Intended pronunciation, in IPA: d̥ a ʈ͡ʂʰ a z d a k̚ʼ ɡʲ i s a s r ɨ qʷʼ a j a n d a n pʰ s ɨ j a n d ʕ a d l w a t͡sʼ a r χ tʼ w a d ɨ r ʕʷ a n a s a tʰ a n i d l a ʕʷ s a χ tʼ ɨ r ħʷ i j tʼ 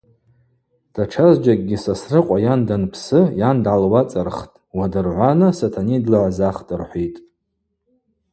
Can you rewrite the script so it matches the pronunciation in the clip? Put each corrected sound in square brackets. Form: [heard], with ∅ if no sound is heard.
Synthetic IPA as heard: d̥ a ʈ͡ʂʰ a z [d͡ʒ] a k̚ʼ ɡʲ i s a s r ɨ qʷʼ a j a n d a n pʰ s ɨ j a n d ʕ a [∅] l w a t͡sʼ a r χ tʼ w a d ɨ r ʕʷ a n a s a tʰ a n i d l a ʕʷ [z] a χ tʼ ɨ r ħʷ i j tʼ